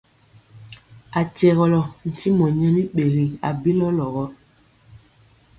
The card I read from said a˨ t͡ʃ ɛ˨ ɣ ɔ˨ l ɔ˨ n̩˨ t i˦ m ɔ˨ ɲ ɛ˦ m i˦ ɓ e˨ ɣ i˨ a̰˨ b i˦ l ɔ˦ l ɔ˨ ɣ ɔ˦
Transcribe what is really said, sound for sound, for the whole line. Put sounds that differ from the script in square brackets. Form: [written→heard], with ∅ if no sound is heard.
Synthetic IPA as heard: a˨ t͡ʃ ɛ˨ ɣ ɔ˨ l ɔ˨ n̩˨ t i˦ m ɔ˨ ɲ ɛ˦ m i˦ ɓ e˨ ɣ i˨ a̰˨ b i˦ l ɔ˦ l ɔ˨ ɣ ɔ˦